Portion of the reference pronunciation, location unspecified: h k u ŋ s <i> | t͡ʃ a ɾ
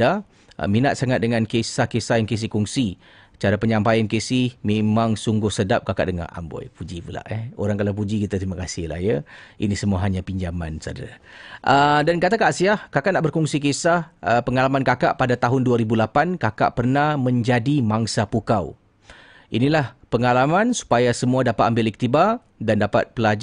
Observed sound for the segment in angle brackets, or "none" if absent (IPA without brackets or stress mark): i